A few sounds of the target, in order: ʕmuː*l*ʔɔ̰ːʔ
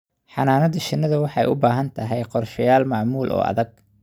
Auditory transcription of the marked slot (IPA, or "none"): l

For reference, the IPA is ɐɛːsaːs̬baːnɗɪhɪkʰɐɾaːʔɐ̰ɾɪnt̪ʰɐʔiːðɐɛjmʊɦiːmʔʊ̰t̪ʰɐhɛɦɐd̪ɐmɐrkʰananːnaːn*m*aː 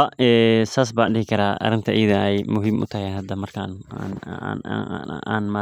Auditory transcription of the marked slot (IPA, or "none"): m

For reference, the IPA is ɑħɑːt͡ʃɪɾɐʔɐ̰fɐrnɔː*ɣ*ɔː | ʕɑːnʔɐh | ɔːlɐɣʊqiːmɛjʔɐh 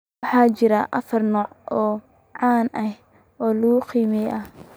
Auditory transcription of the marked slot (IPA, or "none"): ʕ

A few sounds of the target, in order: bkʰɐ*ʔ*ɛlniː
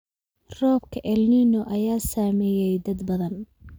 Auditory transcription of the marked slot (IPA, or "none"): ʔ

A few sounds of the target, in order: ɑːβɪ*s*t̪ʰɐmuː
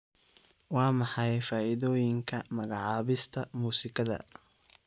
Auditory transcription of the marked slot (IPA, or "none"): s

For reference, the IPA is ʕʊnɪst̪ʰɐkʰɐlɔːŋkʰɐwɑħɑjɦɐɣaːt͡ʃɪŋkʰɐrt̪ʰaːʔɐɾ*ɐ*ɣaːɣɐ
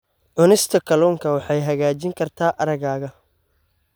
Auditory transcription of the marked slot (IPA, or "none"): ɐ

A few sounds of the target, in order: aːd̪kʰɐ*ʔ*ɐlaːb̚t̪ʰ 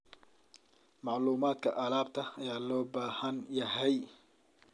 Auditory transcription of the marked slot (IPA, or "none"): ʔ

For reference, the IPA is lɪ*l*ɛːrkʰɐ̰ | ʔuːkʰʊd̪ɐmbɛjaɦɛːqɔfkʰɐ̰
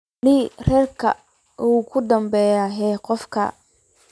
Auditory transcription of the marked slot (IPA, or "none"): r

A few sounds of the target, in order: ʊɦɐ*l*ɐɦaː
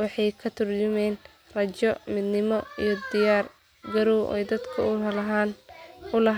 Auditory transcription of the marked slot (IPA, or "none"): l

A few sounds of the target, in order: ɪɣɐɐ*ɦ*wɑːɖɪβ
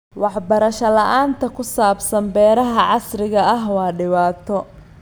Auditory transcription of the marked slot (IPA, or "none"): ɦ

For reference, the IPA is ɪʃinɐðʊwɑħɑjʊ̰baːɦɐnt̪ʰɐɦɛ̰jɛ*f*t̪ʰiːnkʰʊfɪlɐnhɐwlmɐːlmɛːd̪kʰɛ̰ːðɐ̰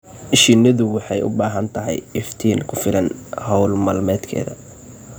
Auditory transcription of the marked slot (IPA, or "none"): f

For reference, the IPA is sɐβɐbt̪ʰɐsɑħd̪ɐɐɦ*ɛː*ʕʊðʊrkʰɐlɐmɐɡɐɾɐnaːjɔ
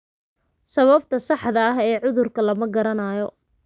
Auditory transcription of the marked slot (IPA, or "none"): ɛː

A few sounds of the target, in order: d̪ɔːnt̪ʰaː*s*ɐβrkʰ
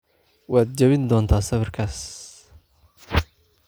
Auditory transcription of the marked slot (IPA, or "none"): s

